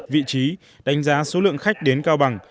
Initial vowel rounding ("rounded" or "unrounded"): unrounded